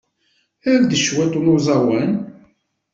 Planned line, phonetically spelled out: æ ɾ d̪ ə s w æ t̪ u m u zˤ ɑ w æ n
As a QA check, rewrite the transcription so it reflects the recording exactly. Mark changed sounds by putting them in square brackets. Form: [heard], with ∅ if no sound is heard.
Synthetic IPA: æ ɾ d̪ ə [ʃ] w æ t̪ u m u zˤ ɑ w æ n

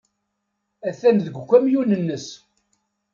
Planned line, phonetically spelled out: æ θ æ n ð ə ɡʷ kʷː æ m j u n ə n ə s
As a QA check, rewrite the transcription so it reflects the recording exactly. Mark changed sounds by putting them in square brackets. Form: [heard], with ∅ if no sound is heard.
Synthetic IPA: æ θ æ n ð ə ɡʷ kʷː æ m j u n ə [nː] ə s

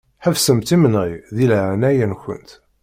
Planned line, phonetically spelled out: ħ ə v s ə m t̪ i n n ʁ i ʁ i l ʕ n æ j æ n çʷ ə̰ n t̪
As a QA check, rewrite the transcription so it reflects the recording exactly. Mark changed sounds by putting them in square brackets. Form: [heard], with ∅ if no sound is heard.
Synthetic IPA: ħ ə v s ə m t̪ i [m] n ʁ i [ð] i l ʕ n æ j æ n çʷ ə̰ n t̪

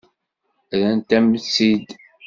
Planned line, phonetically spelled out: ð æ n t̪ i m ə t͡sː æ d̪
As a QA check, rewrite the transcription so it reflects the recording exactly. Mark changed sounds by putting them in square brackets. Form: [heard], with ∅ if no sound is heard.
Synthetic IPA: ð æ n t̪ [æ] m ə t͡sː [i] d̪

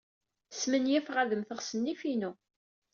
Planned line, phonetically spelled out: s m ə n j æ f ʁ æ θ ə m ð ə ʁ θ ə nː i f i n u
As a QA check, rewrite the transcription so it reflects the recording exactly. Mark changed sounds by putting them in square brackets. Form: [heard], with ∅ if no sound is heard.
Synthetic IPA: s m ə n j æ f ʁ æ [ð] ə m [θ] ə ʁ [s] ə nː i f i n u

